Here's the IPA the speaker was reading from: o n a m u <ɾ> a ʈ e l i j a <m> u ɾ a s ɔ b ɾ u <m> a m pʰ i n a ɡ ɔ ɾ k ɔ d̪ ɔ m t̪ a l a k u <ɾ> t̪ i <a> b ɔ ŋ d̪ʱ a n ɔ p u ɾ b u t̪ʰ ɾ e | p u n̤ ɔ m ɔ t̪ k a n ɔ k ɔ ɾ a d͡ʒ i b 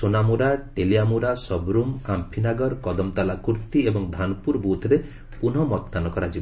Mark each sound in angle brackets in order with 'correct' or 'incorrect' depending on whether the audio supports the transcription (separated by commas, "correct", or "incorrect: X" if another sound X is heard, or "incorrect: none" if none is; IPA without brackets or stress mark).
correct, correct, correct, correct, incorrect: e